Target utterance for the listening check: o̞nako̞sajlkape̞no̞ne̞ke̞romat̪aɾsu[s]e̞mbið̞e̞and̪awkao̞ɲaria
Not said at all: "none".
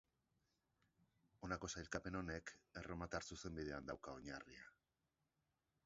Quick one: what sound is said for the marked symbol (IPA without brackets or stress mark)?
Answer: s